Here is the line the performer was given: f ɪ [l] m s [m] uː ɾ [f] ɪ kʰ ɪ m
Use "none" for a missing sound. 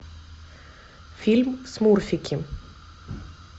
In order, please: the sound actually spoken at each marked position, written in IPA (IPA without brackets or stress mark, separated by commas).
l, m, f